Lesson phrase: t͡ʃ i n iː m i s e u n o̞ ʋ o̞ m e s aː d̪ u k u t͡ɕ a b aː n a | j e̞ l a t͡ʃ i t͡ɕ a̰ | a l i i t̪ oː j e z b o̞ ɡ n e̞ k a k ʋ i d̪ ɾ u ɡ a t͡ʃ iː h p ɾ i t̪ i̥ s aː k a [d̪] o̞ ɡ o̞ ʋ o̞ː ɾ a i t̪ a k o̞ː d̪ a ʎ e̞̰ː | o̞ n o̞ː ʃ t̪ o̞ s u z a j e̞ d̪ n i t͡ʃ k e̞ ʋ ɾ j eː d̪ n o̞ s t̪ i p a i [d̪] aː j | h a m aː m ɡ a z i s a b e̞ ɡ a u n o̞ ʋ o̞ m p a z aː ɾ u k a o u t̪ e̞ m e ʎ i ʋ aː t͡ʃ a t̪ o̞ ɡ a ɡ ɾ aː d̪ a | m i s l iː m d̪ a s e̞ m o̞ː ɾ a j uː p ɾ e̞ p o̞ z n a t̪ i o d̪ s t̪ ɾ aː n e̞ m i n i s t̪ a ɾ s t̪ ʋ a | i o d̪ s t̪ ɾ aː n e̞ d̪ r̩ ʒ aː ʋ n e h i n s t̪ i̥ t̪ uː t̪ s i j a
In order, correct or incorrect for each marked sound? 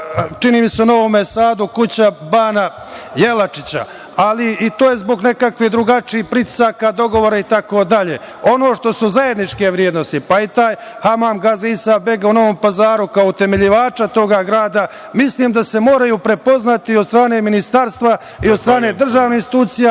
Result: correct, incorrect: t̪

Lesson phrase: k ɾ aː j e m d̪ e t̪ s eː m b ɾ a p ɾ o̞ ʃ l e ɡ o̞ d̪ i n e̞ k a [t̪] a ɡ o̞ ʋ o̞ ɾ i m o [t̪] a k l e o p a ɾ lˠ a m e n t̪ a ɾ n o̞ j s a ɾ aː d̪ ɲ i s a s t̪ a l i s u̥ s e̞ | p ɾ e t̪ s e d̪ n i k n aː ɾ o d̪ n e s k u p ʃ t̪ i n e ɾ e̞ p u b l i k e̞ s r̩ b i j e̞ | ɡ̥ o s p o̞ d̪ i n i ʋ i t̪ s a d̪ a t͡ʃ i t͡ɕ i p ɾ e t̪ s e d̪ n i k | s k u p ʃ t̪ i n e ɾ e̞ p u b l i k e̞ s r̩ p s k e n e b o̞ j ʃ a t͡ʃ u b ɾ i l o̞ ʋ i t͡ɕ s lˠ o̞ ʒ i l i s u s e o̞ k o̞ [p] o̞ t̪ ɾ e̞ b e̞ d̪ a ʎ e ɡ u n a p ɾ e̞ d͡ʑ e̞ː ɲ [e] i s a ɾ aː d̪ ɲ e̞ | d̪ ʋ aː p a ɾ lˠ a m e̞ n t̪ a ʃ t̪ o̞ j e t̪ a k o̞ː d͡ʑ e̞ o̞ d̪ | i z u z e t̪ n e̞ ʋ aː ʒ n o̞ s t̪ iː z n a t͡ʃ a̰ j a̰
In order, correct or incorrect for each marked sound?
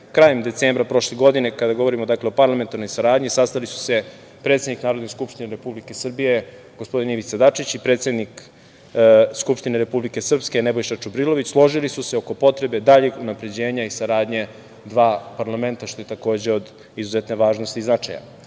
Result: incorrect: d̪, incorrect: d̪, correct, incorrect: a

